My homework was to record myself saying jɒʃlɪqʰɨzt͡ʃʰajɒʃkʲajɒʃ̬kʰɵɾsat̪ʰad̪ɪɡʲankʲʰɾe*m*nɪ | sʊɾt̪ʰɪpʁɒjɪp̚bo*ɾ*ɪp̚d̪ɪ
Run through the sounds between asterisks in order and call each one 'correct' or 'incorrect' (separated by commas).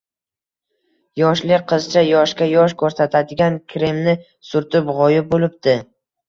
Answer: correct, incorrect